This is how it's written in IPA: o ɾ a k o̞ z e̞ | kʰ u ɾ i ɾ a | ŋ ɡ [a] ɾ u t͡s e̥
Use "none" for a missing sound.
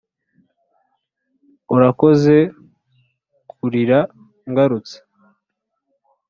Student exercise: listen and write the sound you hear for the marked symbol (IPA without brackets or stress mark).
a